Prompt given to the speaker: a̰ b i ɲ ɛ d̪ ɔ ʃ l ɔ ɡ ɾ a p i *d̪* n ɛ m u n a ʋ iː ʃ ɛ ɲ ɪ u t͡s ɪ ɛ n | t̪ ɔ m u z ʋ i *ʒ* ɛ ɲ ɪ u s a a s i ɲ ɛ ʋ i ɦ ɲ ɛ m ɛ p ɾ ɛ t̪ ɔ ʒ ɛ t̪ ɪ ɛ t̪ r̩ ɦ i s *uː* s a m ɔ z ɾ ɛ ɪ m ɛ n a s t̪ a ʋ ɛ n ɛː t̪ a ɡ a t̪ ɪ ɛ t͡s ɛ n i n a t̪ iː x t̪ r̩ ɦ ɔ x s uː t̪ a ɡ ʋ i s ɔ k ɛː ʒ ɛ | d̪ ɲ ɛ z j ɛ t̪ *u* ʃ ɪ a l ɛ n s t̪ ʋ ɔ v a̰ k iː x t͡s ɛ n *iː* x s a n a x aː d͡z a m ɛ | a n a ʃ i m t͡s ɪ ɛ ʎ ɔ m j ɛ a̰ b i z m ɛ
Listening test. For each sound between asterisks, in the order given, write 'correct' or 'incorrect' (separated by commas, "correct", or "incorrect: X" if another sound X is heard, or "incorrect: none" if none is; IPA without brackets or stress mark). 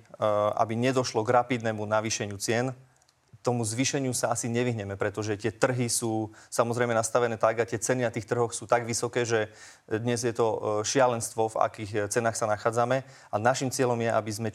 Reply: correct, incorrect: ʃ, correct, incorrect: ɔ, incorrect: aː